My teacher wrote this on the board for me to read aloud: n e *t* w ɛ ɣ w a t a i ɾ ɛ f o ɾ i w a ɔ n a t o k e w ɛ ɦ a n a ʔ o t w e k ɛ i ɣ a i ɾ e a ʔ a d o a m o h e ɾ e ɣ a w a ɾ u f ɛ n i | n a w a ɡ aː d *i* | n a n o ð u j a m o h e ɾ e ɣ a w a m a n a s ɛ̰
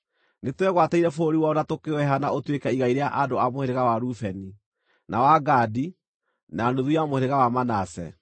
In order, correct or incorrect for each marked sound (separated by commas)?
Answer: correct, correct